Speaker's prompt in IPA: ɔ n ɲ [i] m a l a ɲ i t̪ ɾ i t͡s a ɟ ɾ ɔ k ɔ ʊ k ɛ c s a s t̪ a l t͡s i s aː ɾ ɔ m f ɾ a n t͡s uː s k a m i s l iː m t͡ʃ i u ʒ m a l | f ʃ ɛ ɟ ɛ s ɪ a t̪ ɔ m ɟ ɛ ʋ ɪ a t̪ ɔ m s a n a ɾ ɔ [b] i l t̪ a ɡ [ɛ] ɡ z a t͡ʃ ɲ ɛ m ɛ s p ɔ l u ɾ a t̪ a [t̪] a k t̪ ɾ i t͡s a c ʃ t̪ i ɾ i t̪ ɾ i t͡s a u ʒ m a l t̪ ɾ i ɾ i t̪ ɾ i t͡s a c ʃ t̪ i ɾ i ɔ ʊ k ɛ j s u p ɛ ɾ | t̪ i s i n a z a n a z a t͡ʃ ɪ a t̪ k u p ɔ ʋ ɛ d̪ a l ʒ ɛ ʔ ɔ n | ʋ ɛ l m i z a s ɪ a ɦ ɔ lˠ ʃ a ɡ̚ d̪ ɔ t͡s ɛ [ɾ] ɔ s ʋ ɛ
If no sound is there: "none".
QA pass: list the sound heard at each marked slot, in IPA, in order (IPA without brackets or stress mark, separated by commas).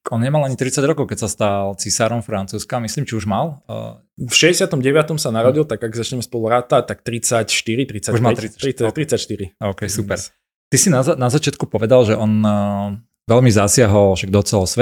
ɛ, ɟ, a, t̪, l